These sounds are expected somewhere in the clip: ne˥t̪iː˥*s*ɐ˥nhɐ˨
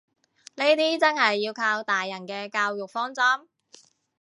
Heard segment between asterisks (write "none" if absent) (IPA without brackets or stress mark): t͡s